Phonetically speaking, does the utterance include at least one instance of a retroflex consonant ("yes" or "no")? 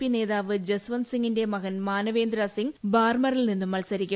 no